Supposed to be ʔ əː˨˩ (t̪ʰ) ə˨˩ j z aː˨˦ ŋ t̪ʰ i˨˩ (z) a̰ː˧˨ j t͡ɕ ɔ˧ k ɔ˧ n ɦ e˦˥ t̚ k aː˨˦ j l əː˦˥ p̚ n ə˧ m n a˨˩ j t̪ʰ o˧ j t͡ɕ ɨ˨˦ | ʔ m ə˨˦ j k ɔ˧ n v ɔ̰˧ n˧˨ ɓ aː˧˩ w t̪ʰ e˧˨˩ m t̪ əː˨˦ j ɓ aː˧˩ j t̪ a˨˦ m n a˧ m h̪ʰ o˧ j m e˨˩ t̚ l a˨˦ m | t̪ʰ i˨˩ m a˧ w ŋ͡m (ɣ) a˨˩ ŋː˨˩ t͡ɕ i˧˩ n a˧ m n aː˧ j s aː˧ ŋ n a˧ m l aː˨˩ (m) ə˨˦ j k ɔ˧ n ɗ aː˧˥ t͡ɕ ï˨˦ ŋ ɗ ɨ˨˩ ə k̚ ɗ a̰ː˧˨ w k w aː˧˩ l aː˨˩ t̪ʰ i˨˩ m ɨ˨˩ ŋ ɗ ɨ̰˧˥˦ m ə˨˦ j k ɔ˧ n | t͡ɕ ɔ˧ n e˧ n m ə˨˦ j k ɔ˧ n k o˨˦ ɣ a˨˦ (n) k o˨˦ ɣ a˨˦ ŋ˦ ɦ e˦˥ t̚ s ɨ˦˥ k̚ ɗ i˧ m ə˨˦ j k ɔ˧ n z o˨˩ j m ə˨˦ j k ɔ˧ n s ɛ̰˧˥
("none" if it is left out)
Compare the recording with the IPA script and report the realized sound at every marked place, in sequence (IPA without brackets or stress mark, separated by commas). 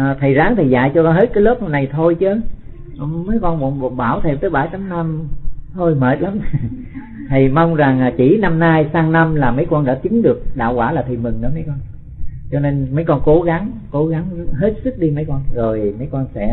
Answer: t̪ʰ, z, z, m, ŋ